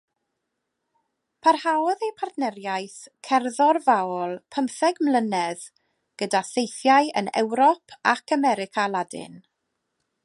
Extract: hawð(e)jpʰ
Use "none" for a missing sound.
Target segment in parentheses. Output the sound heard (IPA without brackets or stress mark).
e